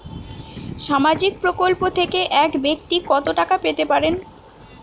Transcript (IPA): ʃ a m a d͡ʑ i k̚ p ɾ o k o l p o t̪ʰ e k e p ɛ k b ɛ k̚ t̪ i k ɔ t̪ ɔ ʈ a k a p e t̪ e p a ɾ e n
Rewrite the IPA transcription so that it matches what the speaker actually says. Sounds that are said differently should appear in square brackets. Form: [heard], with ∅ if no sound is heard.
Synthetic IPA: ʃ a m a d͡ʑ i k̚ p ɾ o k o l p o t̪ʰ e k e [ʔ] ɛ k b [e] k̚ t̪ i k ɔ t̪ [o] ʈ a k a p e t̪ e p a ɾ e n